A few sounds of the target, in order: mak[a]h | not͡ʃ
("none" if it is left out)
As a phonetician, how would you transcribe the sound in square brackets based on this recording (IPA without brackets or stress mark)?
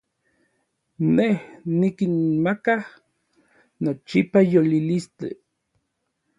a